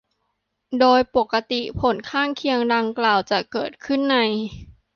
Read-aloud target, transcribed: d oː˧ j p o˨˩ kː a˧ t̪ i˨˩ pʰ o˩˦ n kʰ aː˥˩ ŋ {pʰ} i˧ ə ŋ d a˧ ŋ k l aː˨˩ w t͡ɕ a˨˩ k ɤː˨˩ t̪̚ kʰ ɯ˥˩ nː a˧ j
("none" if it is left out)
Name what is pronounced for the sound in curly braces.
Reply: kʰ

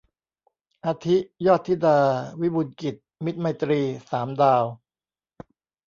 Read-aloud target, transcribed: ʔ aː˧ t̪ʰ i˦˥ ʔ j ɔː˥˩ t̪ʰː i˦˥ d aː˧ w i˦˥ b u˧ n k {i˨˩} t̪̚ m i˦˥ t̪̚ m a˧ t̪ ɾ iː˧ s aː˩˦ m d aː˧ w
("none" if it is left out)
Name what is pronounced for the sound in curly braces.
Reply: i˨˩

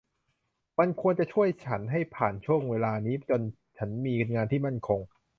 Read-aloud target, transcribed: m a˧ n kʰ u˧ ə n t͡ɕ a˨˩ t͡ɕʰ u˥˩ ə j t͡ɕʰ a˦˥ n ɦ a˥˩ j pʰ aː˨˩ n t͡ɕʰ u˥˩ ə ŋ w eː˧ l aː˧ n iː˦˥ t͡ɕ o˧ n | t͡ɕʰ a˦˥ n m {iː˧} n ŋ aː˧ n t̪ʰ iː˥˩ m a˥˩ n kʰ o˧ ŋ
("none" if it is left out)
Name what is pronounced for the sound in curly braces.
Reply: iː˧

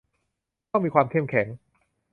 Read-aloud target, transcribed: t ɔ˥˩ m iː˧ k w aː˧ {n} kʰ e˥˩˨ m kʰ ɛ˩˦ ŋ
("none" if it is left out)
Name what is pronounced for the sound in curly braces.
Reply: m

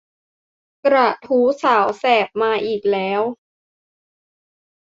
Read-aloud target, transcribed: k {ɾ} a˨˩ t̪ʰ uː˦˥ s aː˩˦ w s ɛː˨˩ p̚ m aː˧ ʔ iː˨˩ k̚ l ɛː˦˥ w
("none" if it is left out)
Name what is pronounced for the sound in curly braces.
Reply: ɾ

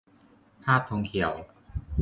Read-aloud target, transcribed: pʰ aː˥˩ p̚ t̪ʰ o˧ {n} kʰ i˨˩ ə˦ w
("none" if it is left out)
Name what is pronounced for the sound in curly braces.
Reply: ŋ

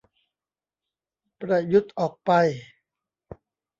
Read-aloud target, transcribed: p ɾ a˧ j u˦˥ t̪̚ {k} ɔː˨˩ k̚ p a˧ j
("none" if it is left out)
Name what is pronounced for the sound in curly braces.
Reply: ʔ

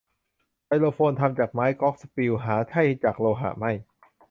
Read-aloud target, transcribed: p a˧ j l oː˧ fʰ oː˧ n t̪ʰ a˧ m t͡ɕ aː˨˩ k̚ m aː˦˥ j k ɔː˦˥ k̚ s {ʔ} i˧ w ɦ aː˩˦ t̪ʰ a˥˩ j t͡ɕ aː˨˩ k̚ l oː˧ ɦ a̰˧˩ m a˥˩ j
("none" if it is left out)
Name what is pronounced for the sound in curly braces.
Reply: p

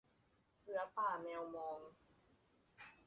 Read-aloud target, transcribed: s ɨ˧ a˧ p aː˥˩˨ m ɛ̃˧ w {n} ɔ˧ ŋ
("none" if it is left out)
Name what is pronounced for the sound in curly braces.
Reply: m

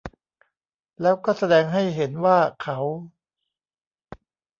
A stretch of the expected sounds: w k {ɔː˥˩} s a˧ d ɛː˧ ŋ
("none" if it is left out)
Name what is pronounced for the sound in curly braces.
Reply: ɔː˥˩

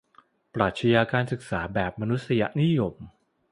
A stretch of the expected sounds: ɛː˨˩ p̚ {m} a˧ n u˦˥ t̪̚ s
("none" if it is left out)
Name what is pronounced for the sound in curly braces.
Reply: m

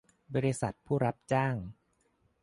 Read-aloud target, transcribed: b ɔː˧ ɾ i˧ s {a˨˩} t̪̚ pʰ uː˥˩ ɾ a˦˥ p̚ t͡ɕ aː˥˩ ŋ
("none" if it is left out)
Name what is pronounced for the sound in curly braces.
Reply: a˨˩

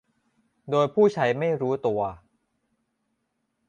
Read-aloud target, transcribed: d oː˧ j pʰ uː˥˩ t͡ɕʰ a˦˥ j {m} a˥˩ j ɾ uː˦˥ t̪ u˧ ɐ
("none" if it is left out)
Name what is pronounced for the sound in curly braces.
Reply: m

